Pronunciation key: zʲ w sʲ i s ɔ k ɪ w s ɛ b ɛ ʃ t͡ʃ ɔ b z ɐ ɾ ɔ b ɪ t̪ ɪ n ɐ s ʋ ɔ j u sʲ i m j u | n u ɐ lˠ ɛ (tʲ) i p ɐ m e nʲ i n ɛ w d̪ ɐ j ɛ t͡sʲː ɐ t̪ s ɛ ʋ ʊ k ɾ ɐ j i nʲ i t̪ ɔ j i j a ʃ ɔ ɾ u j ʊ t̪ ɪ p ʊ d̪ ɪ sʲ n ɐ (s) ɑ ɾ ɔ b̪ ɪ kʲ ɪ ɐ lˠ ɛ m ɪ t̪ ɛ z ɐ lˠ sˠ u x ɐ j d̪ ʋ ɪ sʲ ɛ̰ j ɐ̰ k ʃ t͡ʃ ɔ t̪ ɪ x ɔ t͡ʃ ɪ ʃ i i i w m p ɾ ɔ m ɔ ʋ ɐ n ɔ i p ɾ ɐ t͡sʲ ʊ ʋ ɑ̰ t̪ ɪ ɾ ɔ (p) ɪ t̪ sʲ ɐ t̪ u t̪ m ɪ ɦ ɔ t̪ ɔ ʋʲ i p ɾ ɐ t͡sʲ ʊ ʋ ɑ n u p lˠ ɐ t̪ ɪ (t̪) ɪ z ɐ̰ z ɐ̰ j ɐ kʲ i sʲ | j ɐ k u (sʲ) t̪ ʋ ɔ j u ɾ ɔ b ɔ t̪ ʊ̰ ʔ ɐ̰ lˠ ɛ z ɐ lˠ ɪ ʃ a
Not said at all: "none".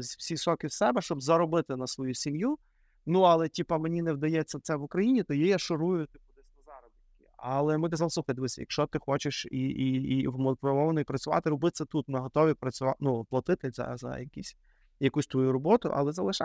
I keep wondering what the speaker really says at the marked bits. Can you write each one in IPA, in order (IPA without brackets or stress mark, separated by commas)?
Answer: tʲ, z, b, t̪, sʲ